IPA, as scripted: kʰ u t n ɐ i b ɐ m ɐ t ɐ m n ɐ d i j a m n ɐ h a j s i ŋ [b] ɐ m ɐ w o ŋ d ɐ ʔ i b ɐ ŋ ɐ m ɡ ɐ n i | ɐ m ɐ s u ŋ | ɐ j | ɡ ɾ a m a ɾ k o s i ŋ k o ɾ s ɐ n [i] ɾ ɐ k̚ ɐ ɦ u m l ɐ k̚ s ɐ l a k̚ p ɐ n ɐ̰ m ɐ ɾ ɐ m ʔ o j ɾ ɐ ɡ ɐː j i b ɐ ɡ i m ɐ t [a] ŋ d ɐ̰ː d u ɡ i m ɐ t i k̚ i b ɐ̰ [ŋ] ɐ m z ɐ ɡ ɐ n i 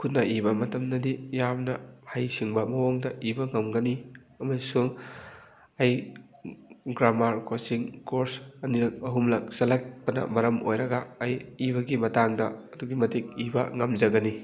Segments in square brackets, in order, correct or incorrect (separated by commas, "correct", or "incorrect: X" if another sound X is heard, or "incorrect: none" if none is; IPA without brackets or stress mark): correct, correct, correct, correct